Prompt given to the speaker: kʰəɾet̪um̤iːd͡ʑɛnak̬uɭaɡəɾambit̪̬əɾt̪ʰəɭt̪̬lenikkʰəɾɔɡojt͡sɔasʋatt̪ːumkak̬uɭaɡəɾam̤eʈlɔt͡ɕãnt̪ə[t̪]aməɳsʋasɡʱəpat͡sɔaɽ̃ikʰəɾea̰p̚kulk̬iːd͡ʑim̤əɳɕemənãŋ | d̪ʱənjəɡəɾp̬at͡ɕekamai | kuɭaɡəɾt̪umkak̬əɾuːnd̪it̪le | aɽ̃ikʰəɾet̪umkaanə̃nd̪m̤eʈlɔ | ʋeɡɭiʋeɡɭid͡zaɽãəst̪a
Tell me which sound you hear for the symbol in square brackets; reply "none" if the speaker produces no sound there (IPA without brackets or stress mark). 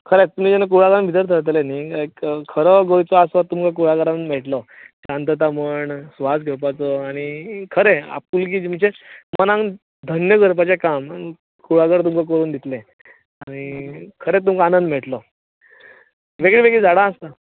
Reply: t̪